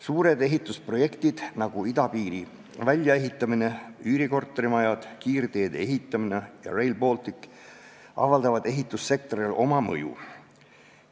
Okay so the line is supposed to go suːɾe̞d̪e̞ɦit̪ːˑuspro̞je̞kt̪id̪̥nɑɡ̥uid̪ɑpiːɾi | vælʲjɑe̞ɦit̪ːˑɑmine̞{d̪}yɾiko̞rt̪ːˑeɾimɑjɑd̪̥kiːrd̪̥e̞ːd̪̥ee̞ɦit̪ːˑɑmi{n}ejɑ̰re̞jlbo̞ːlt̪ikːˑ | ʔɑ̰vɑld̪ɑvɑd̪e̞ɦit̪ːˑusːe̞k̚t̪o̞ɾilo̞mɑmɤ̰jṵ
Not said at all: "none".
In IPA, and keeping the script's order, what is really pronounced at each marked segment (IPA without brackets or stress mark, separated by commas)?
none, n